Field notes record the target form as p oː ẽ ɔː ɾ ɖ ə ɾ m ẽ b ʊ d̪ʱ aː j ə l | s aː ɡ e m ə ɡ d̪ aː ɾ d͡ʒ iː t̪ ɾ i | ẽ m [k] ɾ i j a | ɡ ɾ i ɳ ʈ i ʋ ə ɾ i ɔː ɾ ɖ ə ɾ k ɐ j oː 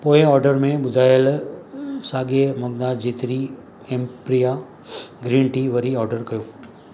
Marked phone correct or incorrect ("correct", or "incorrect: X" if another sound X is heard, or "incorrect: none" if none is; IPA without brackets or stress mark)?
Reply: incorrect: p